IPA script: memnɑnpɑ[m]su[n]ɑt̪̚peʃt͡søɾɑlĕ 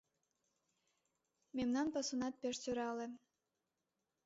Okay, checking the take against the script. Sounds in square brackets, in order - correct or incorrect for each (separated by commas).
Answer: incorrect, correct